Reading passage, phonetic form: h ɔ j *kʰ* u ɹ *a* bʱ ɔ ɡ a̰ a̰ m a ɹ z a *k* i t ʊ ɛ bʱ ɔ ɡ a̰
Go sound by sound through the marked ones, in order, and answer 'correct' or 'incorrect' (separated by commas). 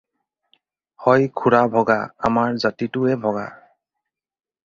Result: correct, correct, incorrect